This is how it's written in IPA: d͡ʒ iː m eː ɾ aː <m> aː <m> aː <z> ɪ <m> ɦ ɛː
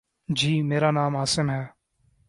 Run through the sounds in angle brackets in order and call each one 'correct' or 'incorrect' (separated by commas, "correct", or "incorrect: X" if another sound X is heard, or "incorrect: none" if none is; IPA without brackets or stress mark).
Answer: incorrect: n, correct, incorrect: s, correct